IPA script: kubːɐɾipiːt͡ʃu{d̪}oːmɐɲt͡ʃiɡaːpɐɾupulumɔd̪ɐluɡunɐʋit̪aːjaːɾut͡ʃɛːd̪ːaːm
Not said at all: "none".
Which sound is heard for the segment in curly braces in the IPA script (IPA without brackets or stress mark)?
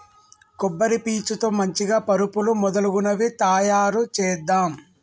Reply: t̪